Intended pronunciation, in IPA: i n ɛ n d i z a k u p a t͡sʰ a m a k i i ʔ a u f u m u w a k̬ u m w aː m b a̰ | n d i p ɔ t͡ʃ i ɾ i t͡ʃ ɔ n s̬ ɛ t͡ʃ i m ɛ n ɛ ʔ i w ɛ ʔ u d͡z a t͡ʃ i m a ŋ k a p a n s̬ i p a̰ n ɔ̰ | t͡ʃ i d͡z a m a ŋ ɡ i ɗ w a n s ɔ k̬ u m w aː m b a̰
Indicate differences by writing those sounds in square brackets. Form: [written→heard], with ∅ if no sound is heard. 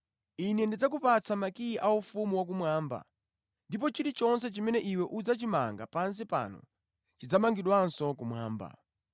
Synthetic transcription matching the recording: i n ɛ n d i [z→d͡z] a k u p a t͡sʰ a m a k i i ʔ a u f u m u w a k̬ u m w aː m b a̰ | n d i p ɔ t͡ʃ i ɾ i t͡ʃ ɔ n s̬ ɛ t͡ʃ i m ɛ n ɛ ʔ i w ɛ ʔ u d͡z a t͡ʃ i m a ŋ [k→ɡ] a p a n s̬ i p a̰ n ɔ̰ | t͡ʃ i d͡z a m a ŋ ɡ i ɗ w a n s ɔ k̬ u m w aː m b a̰